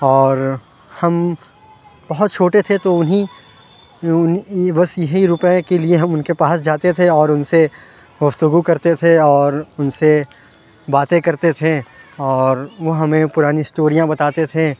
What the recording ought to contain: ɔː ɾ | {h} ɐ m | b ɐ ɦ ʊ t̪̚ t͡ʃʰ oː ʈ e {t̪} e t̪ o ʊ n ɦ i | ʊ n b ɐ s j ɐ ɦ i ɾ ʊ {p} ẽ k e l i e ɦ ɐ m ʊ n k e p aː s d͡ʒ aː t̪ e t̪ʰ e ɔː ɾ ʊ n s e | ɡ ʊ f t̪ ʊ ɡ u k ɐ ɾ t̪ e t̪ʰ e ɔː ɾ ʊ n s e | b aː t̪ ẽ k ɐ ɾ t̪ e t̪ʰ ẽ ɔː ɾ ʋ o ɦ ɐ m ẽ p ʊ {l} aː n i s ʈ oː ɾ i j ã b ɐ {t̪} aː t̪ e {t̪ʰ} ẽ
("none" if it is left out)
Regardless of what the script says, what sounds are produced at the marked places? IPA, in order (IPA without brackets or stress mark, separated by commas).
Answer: h, t̪ʰ, p, ɾ, t̪, t̪ʰ